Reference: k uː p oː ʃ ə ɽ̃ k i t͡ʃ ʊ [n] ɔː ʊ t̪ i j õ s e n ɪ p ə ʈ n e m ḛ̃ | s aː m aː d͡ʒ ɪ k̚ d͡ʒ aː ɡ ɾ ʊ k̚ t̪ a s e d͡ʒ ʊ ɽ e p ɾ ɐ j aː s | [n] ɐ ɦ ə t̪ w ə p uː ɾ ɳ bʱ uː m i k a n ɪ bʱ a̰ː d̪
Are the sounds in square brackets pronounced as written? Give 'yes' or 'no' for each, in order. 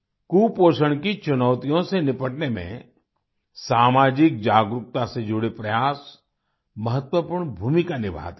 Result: yes, no

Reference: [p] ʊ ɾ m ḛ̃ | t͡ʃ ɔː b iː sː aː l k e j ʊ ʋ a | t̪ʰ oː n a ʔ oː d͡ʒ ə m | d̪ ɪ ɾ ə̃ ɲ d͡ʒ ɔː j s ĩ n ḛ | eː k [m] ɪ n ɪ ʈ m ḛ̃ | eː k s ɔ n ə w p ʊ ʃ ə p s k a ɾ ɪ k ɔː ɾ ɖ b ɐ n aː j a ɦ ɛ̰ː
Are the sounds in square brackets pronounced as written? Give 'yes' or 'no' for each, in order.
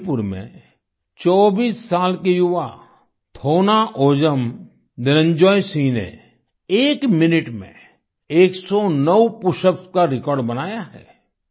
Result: yes, yes

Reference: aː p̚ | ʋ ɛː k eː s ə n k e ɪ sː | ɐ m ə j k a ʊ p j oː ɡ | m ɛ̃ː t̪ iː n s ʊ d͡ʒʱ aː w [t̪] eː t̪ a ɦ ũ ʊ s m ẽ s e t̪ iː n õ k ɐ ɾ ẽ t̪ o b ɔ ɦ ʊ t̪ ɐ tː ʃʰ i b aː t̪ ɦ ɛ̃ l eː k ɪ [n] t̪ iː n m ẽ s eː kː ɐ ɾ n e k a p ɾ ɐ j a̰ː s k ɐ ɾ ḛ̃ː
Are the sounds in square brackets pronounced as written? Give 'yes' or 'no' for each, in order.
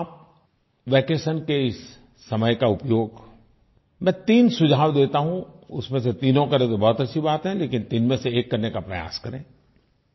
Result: no, yes

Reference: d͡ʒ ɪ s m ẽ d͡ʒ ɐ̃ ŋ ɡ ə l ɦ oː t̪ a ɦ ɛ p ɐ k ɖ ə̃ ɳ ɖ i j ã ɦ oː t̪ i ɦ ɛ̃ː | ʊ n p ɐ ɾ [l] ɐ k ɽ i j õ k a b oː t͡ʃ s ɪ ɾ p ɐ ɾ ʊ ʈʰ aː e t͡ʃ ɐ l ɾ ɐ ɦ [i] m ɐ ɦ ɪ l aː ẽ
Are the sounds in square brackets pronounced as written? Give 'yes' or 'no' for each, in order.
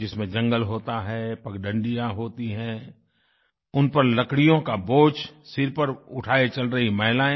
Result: yes, yes

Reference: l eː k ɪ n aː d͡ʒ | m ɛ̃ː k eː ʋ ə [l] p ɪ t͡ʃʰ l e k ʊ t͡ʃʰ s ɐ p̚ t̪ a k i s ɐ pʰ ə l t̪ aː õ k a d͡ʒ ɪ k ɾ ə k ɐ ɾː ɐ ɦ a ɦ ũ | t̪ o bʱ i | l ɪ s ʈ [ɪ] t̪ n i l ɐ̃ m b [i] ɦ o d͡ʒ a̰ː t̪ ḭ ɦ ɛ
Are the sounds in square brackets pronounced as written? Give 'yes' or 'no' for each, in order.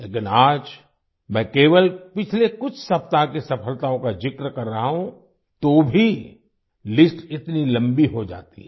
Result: yes, yes, yes

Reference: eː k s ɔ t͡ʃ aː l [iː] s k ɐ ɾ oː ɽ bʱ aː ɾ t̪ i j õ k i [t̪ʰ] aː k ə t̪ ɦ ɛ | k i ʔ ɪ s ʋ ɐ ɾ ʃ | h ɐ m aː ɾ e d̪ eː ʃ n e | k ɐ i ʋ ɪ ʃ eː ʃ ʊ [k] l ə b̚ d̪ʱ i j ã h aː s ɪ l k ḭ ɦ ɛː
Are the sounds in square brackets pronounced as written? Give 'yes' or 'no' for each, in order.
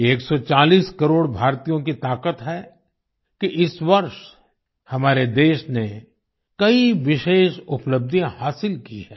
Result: yes, no, no

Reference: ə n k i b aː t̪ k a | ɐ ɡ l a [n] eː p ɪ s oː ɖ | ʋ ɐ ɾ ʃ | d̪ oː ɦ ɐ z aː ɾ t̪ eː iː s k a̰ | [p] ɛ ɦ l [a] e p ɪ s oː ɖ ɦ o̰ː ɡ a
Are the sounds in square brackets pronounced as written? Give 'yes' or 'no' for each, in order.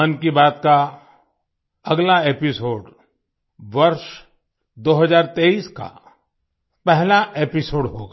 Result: no, yes, yes

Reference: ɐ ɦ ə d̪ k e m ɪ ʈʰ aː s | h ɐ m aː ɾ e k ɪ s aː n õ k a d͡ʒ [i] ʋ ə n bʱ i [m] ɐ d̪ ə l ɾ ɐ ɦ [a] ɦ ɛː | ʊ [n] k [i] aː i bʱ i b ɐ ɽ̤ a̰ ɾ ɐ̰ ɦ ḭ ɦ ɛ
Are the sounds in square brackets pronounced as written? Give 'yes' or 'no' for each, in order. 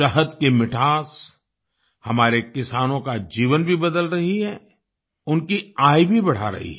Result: no, no, no, yes, yes

